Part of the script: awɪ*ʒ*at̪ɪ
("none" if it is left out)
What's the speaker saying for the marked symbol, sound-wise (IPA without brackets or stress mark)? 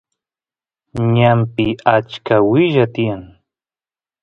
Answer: ʒ